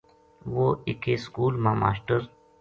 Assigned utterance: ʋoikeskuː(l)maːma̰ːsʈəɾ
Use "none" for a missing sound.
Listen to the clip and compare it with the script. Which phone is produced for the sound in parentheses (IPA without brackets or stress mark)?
l